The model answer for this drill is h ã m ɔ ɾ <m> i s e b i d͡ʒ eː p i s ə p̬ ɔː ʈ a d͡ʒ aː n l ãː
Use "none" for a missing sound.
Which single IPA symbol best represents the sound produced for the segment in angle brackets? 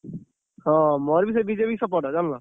b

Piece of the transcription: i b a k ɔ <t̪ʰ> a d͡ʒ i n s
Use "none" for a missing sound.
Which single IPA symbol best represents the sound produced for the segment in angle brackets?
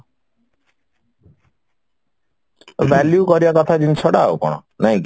t̪ʰ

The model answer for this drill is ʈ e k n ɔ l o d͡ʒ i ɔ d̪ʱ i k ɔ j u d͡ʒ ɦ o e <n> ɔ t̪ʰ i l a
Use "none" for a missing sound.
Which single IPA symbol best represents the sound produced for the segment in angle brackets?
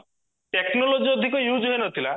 n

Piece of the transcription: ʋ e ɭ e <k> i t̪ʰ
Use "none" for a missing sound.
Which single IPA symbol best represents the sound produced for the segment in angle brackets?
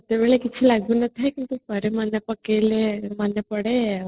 k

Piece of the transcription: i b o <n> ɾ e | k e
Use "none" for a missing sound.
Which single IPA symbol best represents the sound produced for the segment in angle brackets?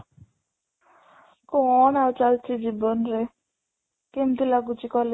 n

